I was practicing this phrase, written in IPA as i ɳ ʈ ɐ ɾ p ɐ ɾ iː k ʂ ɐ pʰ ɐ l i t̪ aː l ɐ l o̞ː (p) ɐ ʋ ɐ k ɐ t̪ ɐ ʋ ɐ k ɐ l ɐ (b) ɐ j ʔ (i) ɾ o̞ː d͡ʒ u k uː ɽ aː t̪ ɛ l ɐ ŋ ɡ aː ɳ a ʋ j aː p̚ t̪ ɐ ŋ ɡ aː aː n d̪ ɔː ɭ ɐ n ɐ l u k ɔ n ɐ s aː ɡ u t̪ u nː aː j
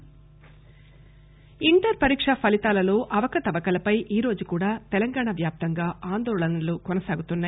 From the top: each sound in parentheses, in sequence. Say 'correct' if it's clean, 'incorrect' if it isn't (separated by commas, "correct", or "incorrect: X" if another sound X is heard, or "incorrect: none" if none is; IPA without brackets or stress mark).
incorrect: ʔ, incorrect: p, incorrect: iː